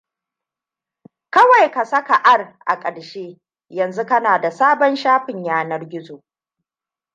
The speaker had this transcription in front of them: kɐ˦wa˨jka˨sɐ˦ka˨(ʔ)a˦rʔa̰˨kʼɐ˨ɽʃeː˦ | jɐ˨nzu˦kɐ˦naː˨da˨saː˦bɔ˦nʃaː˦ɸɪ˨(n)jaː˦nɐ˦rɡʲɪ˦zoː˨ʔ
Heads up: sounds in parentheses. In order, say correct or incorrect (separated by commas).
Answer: correct, incorrect